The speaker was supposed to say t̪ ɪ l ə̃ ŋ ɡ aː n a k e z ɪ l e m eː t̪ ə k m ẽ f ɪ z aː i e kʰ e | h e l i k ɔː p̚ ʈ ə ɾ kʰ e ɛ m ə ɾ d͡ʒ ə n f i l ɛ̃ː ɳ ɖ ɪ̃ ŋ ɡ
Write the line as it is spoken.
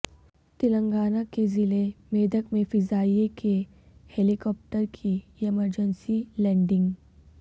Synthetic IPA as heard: t̪ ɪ l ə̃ ŋ ɡ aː n a k e z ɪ l e m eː d̪ ə k m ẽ f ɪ z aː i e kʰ e | h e l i k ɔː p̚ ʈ ə ɾ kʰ i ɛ m ə ɾ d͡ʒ ə n s i l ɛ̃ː ɳ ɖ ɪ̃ ŋ ɡ